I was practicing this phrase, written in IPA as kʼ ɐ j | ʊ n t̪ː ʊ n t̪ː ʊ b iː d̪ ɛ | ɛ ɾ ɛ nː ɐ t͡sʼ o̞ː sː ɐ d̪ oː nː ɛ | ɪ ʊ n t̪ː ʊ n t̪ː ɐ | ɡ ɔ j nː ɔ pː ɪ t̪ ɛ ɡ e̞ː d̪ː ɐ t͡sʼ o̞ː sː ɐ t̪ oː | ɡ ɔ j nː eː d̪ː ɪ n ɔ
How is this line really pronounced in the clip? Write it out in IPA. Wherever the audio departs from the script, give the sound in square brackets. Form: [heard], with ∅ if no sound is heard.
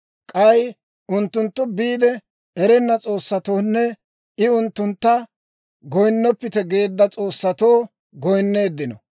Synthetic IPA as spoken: kʼ ɐ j | ʊ n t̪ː ʊ n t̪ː ʊ b iː d̪ ɛ | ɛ ɾ ɛ nː ɐ t͡sʼ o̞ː sː ɐ [t̪] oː nː ɛ | ɪ ʊ n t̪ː ʊ n t̪ː ɐ | ɡ ɔ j nː ɔ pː ɪ t̪ ɛ ɡ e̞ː d̪ː ɐ t͡sʼ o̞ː sː ɐ t̪ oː | ɡ ɔ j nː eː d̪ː ɪ n ɔ